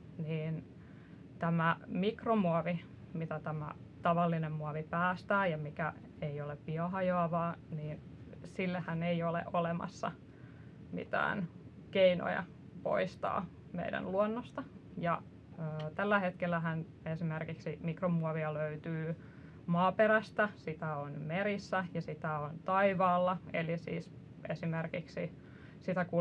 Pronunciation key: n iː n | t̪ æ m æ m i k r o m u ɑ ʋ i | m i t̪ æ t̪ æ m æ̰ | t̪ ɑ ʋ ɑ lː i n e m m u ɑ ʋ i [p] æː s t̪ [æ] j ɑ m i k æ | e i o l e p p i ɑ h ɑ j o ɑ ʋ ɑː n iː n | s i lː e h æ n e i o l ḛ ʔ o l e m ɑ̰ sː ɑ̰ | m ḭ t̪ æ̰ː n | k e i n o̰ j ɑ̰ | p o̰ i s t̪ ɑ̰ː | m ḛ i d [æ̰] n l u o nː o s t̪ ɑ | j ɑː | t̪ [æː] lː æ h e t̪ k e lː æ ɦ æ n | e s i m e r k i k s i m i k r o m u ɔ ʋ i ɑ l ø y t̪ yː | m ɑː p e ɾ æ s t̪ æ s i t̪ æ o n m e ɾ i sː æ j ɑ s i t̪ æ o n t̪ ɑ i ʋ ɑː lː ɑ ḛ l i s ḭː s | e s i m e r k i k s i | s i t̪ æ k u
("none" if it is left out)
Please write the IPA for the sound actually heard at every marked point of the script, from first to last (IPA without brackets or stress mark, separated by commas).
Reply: p, æː, æ̰, æ